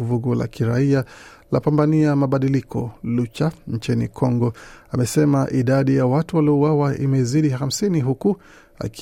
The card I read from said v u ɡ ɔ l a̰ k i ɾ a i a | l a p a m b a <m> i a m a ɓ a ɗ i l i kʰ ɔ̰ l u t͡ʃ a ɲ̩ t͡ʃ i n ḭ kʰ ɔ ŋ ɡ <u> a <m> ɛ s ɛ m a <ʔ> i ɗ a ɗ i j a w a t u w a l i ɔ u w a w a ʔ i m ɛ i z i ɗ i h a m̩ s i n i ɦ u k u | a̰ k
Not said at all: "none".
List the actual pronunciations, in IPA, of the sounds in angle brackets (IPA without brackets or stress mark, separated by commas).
n, ɔ, m, ʔ